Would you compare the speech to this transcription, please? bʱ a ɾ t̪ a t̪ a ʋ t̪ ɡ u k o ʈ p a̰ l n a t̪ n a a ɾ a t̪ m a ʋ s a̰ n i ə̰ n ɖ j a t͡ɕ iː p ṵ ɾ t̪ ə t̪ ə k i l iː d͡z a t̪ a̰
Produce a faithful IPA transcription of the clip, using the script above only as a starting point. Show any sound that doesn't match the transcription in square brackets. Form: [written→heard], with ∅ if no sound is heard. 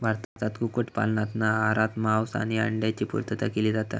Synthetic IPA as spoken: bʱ a ɾ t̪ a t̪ a [ʋ→∅] t̪ ɡ u k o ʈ p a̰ l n a t̪ n a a ɾ a t̪ m a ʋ s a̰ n i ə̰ [n→ɳ] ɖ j a t͡ɕ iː p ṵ ɾ t̪ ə t̪ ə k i l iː d͡z a t̪ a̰